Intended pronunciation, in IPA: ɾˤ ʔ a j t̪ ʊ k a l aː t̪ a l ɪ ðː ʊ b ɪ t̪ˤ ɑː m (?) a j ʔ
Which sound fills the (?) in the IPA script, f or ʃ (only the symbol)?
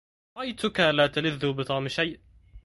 ʃ